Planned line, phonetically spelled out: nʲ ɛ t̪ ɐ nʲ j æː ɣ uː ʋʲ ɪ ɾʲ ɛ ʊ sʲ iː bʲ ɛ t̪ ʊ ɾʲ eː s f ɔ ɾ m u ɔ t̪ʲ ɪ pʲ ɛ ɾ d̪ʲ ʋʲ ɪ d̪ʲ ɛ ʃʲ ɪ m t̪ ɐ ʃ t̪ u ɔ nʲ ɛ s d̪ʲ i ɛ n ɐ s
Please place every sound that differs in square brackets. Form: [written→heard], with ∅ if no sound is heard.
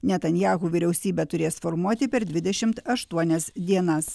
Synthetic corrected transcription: nʲ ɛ t̪ ɐ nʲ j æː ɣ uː ʋʲ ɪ ɾʲ ɛ ʊ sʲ iː bʲ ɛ t̪ ʊ ɾʲ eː s f ɔ ɾ m u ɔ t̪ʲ ɪ pʲ ɛ ɾ d̪ʲ ʋʲ ɪ d̪ʲ ɛ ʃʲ ɪ m t̪ ɐ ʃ t̪ u ɔ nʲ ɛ s d̪ʲ i ɛ n ɐ s